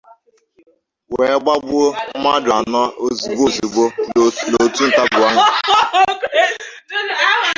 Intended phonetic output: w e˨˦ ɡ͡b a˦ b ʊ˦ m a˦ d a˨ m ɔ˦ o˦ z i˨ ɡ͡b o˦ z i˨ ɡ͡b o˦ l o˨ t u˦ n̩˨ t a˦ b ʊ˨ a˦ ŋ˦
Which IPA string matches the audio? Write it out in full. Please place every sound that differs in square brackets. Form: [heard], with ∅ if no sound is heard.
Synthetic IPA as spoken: w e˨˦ ɡ͡b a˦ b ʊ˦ m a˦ d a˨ [n] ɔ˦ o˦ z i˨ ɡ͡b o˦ z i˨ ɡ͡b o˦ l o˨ t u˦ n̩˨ t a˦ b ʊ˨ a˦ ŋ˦